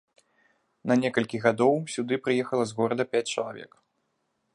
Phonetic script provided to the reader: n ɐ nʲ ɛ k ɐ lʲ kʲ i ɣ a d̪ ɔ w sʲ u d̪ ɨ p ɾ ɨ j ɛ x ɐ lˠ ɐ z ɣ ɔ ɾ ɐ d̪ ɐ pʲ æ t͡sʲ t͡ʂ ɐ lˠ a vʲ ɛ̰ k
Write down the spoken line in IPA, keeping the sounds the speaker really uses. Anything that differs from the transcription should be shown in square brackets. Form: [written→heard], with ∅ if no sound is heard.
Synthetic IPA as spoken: n ɐ nʲ ɛ k ɐ lʲ kʲ i ɣ a d̪ ɔ w sʲ u d̪ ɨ p ɾ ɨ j ɛ x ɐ lˠ ɐ z ɣ ɔ ɾ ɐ d̪ ɐ pʲ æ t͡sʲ t͡ʂ ɐ lˠ a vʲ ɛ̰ k